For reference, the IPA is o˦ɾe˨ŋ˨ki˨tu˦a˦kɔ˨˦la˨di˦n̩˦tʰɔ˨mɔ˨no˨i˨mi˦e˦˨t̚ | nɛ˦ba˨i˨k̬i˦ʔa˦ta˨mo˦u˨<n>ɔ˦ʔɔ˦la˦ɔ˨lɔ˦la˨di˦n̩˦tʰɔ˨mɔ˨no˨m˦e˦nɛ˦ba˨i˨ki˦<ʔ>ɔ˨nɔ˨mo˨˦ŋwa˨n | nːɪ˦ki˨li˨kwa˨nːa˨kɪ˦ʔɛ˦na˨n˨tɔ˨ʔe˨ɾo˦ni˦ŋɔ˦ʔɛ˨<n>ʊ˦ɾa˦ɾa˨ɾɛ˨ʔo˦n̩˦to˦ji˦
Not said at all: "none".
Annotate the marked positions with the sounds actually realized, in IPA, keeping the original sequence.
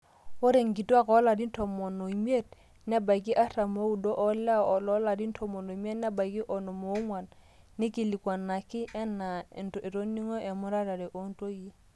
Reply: d, ʔ, m

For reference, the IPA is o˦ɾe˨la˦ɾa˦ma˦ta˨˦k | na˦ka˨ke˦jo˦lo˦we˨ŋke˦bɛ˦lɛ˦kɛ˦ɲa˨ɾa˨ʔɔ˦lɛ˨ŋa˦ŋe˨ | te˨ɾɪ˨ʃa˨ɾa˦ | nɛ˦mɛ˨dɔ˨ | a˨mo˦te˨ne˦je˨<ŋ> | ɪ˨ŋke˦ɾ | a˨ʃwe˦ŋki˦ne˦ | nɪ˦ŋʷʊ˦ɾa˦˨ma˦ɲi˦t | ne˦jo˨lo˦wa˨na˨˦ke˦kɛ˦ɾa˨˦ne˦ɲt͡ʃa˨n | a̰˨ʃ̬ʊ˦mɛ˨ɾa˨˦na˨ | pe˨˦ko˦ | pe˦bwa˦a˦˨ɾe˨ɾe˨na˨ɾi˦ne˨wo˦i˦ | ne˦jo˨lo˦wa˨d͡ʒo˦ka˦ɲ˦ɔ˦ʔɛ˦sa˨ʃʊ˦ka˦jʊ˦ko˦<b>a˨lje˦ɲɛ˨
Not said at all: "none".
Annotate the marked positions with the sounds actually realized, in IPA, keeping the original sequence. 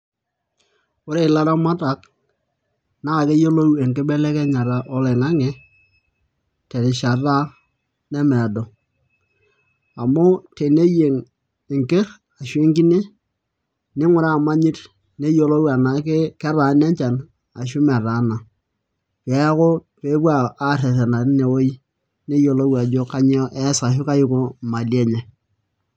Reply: ŋ, m

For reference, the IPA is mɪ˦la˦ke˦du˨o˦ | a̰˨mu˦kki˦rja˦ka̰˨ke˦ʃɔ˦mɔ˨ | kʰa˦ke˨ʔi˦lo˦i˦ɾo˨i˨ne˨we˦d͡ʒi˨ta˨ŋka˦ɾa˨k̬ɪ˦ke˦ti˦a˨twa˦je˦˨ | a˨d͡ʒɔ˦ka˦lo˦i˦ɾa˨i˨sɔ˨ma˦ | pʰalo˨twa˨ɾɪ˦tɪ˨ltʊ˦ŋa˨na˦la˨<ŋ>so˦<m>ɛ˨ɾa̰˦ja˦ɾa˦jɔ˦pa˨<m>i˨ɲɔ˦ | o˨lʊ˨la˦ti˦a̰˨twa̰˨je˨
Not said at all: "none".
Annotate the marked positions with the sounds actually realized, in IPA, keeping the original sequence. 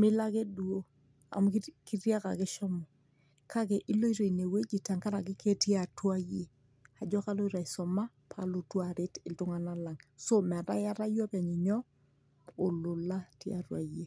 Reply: ŋ, m, ɲ

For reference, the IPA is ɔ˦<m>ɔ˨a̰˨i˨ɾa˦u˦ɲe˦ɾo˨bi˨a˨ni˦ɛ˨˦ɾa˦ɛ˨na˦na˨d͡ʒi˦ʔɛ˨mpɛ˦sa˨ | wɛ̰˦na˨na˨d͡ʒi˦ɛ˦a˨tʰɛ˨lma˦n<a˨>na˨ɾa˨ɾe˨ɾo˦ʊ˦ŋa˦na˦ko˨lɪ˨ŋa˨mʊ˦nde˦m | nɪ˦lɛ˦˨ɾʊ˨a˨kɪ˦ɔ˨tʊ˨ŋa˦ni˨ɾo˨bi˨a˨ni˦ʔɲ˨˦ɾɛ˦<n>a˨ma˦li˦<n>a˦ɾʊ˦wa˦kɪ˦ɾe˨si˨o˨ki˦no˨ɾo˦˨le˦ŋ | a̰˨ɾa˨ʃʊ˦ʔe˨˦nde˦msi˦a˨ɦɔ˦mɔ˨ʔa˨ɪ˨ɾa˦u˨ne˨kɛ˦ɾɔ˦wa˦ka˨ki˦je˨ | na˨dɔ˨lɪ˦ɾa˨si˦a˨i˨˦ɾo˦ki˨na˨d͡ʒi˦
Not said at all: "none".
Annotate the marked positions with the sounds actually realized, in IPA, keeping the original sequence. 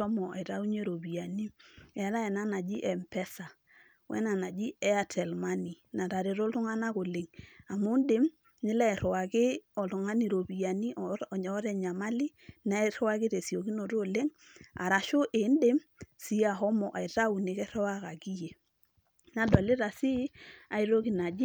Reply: m, i˨, ɲ, n

